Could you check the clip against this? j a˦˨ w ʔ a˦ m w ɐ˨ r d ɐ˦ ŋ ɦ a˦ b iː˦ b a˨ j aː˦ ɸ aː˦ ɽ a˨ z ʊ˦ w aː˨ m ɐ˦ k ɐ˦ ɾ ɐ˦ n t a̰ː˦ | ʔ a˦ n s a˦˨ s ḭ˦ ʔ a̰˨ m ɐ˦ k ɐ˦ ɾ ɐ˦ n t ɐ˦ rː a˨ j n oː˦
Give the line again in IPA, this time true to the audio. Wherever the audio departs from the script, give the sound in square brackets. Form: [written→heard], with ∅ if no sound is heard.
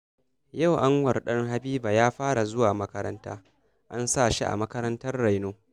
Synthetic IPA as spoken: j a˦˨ w ʔ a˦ [m→ŋ] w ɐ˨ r [d→ɗ] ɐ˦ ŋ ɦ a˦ b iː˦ b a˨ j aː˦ ɸ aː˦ ɽ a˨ z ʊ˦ w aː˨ m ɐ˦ k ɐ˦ ɾ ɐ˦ n t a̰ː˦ | ʔ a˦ n s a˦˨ [s→ʃ] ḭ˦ ʔ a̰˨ m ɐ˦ k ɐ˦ ɾ ɐ˦ n t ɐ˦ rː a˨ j n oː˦